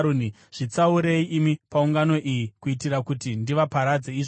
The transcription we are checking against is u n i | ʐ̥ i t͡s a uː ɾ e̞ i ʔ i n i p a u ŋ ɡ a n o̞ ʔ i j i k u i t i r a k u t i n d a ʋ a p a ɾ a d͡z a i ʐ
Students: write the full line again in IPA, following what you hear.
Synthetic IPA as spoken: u n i | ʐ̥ i t͡s a u ɾ e̞ i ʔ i m i p a u ŋ ɡ a n o̞ ʔ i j i k u i t i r a k u t i n d i ʋ a p a ɾ a d͡z e i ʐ